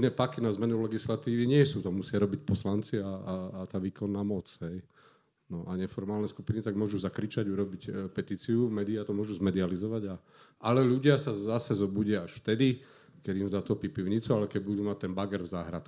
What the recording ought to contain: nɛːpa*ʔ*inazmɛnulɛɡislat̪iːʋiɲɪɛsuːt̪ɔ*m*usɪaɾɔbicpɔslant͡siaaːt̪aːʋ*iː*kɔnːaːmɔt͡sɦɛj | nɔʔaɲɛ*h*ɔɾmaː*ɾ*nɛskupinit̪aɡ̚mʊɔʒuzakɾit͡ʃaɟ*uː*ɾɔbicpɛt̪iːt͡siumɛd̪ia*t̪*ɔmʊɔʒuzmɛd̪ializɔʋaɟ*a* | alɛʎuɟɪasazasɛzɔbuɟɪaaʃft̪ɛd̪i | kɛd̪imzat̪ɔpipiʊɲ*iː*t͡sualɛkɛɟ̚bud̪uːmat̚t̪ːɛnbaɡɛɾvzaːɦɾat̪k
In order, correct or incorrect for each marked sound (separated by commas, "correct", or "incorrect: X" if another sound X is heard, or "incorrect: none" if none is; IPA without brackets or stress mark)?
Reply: incorrect: k, correct, correct, incorrect: f, incorrect: l, incorrect: u, correct, correct, incorrect: i